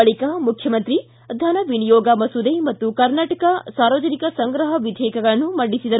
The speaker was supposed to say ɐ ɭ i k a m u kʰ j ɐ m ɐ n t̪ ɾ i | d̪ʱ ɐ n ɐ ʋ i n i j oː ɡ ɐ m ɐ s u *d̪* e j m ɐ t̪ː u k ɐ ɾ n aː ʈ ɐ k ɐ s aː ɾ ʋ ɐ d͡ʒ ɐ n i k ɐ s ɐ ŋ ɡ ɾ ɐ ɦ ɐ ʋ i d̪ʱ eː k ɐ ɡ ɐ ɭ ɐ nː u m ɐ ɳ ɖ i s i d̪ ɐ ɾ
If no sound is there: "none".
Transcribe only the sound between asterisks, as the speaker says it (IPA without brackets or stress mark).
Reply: d̪